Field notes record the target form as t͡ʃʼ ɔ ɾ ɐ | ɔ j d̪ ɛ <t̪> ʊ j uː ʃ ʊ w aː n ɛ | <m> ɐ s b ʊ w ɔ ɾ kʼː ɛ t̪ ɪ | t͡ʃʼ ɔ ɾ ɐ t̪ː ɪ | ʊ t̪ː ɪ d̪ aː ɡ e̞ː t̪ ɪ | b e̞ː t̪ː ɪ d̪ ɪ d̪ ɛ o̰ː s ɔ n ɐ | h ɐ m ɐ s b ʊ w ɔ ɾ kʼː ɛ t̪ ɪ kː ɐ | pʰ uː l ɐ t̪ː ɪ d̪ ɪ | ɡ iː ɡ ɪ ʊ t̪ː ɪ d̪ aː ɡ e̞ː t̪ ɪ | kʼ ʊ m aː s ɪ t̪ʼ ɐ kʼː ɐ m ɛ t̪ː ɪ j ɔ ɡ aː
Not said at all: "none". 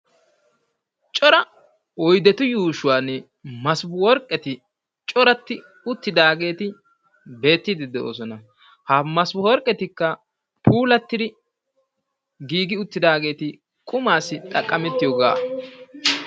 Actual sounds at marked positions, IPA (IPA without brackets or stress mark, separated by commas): t̪, m